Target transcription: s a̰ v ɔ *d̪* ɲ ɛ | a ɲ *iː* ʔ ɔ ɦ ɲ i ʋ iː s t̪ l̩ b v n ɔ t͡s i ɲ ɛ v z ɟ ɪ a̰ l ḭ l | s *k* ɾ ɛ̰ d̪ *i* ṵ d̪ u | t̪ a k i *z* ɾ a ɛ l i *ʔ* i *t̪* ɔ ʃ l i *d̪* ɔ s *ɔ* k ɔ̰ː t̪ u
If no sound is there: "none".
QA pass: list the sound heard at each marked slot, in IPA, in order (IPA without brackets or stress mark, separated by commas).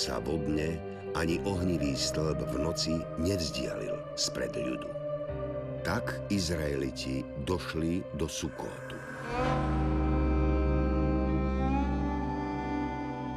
d̪, i, p, j, z, c, d̪, d̪, u